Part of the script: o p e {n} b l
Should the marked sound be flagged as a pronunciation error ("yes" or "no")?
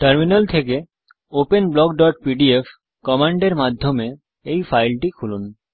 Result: no